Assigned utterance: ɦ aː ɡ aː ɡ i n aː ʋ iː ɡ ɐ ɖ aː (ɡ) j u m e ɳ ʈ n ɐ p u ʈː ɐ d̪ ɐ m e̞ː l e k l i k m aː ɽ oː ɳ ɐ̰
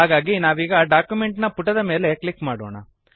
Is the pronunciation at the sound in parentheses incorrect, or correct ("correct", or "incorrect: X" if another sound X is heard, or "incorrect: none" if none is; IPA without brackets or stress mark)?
incorrect: k